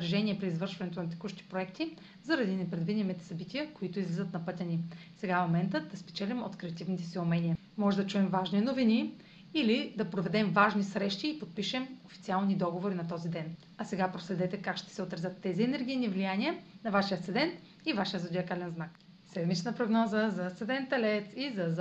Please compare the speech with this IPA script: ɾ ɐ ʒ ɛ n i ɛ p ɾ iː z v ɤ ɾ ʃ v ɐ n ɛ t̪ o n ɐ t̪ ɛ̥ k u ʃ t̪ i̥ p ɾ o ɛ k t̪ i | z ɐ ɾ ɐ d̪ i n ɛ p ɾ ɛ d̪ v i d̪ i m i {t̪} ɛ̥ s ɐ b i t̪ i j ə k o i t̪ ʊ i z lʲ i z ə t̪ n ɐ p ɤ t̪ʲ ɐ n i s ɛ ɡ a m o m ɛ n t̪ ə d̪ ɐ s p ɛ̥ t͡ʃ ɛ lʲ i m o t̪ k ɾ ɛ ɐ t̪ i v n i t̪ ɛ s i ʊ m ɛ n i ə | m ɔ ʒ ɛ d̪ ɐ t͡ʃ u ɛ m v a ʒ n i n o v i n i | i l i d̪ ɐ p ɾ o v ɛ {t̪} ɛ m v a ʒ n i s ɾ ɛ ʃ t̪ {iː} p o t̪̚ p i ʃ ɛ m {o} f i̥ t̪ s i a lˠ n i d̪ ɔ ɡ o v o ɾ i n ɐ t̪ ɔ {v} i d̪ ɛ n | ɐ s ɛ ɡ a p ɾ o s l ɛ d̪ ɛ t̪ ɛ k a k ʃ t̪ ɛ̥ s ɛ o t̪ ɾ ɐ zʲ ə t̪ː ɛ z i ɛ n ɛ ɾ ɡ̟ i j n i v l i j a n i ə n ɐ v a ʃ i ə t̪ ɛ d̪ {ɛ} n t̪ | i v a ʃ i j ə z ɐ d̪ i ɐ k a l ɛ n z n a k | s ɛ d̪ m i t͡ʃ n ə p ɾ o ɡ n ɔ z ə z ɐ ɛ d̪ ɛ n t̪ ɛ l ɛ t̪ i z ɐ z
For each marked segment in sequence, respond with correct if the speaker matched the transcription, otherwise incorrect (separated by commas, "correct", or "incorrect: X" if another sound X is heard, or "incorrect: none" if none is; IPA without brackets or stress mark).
correct, incorrect: d̪, correct, correct, incorrect: z, correct